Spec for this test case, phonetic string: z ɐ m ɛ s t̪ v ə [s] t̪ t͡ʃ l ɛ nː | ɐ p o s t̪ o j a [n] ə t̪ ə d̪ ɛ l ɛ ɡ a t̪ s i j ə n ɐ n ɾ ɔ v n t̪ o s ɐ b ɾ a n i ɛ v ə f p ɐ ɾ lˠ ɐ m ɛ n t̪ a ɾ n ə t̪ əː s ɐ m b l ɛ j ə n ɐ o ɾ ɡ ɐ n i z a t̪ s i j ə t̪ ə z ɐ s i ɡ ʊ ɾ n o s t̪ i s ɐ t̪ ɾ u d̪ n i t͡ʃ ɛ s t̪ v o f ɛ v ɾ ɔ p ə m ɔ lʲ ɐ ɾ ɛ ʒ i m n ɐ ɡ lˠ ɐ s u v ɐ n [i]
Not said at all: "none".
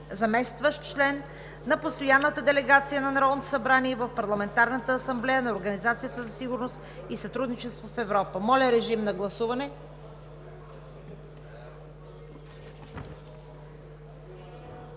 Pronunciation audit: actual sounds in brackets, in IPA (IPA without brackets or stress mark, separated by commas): ʃ, nː, ɛ